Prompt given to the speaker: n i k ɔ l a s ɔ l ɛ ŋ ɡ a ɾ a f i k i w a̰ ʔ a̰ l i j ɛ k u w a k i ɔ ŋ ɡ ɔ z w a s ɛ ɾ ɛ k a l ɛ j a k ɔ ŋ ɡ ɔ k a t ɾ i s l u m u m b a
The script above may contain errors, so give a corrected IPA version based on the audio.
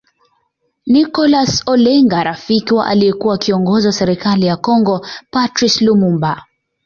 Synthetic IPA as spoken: n i k ɔ l a s ɔ l ɛ ŋ ɡ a ɾ a f i k i w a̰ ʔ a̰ l i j ɛ k u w a k i ɔ ŋ ɡ ɔ z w a s ɛ ɾ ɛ k a l i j a k ɔ ŋ ɡ ɔ p a t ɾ i s l u m u m b a

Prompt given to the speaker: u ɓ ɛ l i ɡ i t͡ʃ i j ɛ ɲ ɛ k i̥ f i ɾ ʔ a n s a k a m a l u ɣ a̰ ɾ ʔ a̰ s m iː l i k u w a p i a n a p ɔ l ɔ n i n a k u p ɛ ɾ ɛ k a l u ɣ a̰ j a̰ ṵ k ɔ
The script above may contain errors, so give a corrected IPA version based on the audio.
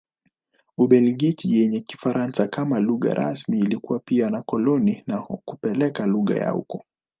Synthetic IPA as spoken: u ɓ ɛ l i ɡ i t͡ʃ i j ɛ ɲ ɛ k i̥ f a ɾ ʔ a n s a k a m a l u ɣ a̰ ɾ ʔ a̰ s m iː l i k u w a p i a n a k ɔ l ɔ n i n a k u p ɛ l ɛ k a l u ɣ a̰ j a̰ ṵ k ɔ

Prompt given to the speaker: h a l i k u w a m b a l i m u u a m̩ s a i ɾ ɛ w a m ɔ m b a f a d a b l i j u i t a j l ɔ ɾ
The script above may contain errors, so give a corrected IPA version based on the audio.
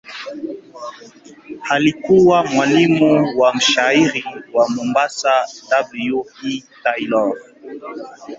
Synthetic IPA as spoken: h a l i k u w a m w a l i m u w a m̩ ʃ a i ɾ i w a m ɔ m b a s a d a b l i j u i t a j l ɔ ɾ

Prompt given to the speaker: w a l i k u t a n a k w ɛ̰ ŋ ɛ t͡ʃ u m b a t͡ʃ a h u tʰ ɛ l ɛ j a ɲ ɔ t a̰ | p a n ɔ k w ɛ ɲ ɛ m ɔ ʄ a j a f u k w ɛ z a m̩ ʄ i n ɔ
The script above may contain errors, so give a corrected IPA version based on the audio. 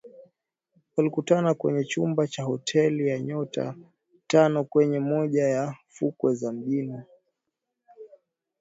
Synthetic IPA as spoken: w a l i k u t a n a k w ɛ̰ ɲ ɛ t͡ʃ u m b a t͡ʃ a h ɔ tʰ ɛ l i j a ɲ ɔ t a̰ | t a n ɔ k w ɛ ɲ ɛ m ɔ ʄ a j a f u k w ɛ z a m̩ ʄ i n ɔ

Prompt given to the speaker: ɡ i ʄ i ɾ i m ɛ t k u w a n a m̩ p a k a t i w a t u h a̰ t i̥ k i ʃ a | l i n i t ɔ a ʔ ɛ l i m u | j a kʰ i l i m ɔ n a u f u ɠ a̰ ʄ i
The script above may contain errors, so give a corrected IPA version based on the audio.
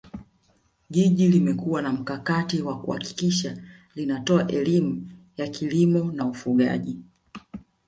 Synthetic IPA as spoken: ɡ i ʄ i l i m ɛ k u w a n a m̩ k a k a t i w a k u h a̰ k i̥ k i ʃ a | l i n a t ɔ a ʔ ɛ l i m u | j a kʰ i l i m ɔ n a u f u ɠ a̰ ʄ i

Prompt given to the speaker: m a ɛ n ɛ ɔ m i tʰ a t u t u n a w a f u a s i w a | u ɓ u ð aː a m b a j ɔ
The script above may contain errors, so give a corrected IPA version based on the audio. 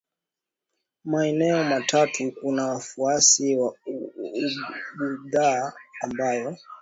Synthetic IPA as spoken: m a ɛ n ɛ ɔ m a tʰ a t u k u n a w a f u a s i w a | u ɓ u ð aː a m b a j ɔ

